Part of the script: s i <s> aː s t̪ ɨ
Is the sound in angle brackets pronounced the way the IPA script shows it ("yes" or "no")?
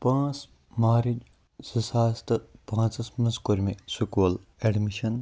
yes